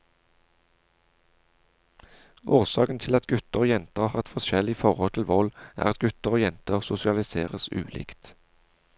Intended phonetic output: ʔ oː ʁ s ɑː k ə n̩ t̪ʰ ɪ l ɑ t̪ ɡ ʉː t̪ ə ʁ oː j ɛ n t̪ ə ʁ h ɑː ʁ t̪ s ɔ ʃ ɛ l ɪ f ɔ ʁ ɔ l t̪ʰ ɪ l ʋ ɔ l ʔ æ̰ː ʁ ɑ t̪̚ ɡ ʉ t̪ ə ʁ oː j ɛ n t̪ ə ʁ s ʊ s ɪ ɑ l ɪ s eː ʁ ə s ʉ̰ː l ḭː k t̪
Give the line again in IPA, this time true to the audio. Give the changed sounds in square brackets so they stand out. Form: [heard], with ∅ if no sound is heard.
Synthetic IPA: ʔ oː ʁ s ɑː k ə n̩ t̪ʰ ɪ l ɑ t̪ ɡ [ʉ] t̪ ə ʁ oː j ɛ n t̪ ə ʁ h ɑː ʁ t̪ [f] ɔ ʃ ɛ l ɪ f ɔ ʁ ɔ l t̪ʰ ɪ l ʋ ɔ l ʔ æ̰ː ʁ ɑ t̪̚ ɡ ʉ t̪ ə ʁ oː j ɛ n t̪ ə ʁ s ʊ s ɪ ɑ l ɪ s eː ʁ ə s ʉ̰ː l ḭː k t̪